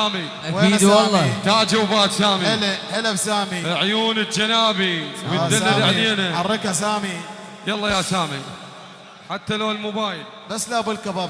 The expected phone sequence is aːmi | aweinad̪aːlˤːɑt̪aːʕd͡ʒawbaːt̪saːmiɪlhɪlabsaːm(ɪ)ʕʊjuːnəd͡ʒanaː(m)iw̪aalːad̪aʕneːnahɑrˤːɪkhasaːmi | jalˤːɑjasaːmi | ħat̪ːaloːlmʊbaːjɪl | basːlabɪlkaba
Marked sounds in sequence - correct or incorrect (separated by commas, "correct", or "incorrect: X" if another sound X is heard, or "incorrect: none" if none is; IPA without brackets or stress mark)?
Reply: incorrect: i, incorrect: b